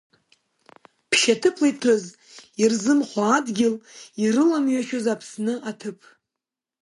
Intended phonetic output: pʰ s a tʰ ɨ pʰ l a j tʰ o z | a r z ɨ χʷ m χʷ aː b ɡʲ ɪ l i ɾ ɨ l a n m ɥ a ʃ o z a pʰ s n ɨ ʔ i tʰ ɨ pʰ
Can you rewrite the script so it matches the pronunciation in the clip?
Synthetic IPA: pʰ ʃ a tʰ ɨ pʰ l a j tʰ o z | i r z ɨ m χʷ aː d ɡʲ ɪ l i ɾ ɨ l a m ɥ a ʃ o z a pʰ s n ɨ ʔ a tʰ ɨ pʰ